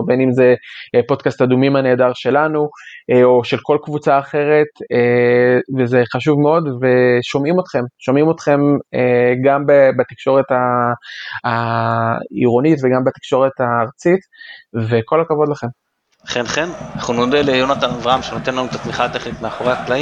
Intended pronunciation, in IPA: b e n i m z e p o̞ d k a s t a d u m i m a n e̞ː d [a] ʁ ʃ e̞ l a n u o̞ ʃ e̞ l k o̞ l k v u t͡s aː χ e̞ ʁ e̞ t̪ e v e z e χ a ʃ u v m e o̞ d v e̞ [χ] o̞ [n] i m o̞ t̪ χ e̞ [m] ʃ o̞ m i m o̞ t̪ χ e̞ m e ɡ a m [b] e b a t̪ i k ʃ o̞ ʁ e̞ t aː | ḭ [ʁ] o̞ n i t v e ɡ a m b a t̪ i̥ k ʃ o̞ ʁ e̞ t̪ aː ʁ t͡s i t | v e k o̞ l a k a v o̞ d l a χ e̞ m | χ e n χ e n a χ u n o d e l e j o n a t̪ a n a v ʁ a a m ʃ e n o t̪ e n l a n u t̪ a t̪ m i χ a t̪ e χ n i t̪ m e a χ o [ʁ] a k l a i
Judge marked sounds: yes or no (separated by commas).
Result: yes, no, no, yes, yes, yes, yes